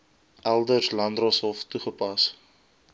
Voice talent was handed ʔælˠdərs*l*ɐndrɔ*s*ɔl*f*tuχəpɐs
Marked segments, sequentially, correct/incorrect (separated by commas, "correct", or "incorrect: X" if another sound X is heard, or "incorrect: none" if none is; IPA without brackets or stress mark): correct, correct, correct